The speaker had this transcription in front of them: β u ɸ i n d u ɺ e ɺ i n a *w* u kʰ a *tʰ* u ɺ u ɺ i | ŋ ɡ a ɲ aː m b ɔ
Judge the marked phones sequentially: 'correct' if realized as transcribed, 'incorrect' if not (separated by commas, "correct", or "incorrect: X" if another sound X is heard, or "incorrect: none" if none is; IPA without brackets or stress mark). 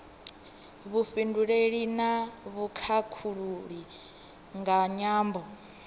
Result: incorrect: β, incorrect: kʰ